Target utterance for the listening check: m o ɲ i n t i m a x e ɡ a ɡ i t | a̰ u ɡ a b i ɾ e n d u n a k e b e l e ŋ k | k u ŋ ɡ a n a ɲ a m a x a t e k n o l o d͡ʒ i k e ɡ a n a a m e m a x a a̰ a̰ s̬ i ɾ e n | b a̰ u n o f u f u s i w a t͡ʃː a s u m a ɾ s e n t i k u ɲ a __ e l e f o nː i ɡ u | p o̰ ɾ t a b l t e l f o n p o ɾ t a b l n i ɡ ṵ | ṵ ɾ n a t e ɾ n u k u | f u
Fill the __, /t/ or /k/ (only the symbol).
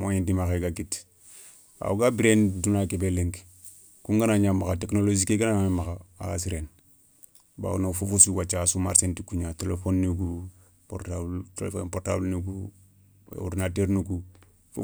t